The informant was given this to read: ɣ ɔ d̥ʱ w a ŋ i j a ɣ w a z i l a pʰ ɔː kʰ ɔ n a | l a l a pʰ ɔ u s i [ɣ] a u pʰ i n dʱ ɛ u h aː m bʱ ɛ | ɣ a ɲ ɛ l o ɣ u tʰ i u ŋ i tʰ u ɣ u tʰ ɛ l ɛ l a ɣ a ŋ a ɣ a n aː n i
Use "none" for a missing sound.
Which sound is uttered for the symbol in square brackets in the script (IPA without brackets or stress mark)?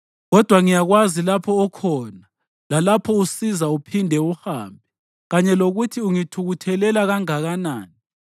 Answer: z